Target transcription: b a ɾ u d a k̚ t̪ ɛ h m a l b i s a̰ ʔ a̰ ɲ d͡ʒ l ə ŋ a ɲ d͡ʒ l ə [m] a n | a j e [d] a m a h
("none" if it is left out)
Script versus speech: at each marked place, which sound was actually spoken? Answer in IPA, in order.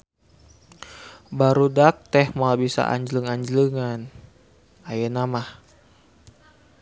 ŋ, n

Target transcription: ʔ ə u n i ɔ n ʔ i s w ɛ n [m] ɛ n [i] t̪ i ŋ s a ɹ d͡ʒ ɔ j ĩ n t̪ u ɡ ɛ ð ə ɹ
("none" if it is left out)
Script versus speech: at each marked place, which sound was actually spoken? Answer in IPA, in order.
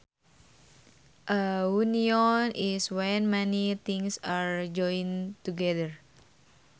m, i

